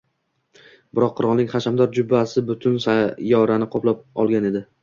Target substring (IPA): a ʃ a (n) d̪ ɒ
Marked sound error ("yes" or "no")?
yes